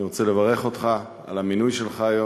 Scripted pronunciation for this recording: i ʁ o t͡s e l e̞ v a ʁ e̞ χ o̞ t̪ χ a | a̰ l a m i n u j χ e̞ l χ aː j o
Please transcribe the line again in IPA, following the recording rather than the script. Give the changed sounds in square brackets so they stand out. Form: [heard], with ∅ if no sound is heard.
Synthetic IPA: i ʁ o t͡s e l e̞ v a ʁ e̞ χ o̞ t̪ χ a | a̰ l a m i n u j [ʃ] e̞ l χ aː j o